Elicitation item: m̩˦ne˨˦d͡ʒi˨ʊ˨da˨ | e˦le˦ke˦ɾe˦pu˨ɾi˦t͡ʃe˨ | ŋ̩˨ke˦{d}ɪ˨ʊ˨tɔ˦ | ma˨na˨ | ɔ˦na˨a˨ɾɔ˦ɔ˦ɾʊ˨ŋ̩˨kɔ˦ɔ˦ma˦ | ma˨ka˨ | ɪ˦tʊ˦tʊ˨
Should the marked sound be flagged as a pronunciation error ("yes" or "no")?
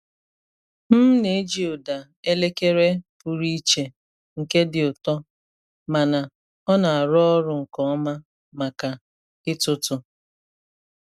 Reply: no